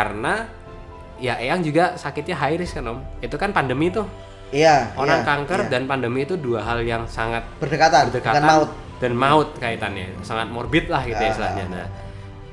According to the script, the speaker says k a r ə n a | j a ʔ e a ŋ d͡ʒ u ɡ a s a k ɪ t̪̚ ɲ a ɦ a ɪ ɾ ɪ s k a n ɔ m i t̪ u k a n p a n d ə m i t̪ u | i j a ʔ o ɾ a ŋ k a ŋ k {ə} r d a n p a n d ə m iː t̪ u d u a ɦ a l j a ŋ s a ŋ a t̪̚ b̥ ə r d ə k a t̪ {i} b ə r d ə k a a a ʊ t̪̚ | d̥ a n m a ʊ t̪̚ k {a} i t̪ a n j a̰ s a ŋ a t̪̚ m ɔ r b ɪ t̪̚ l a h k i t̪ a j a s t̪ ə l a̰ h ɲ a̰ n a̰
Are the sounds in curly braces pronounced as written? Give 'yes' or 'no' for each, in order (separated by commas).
yes, no, yes